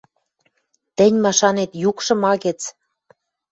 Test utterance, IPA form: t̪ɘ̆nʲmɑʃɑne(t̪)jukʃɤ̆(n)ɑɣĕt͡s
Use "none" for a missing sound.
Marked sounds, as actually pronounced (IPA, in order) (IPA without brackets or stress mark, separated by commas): t̪, m